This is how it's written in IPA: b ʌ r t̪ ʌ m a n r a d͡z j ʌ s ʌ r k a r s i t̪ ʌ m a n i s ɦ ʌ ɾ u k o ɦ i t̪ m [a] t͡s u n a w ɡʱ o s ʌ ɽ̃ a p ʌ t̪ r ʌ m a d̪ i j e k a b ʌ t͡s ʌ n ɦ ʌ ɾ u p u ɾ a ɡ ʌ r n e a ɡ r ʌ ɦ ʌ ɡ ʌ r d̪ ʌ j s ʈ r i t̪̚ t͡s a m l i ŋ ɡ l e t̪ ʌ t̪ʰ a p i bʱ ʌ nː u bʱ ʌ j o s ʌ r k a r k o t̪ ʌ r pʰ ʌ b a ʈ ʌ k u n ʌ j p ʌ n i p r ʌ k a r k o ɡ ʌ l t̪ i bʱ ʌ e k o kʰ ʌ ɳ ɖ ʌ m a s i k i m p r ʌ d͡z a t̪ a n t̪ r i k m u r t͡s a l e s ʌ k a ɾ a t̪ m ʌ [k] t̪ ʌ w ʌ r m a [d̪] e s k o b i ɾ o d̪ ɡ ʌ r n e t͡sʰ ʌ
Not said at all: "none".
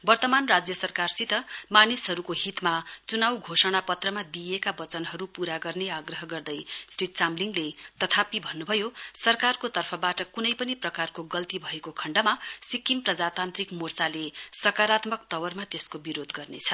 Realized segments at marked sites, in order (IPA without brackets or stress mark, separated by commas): a, k, t̪